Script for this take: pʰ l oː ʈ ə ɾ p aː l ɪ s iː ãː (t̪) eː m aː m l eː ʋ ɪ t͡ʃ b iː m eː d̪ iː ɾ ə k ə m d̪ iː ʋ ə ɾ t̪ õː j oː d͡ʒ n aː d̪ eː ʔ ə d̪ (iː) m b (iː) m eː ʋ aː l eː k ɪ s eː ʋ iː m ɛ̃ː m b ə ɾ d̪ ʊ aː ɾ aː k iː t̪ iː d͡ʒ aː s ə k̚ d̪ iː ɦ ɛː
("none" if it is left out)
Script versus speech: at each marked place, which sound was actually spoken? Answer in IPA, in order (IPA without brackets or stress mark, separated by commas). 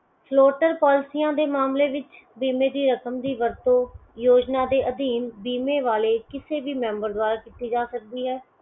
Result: d̪, iː, iː